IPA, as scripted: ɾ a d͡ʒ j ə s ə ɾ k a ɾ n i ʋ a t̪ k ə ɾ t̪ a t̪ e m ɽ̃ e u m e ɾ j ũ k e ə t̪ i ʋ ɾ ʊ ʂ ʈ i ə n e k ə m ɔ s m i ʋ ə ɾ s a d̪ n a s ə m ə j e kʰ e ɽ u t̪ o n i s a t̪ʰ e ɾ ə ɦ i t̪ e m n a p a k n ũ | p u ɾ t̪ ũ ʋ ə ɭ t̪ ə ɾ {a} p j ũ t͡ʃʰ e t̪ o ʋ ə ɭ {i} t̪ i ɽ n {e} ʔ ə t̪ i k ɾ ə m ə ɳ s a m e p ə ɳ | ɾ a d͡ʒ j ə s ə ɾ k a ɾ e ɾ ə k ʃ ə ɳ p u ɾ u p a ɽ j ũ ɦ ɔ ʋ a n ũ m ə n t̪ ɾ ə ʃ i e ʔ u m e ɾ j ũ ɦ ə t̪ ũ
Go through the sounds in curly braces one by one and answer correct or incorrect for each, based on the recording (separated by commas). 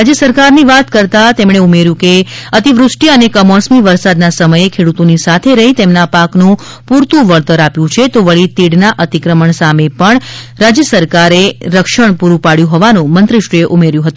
correct, correct, incorrect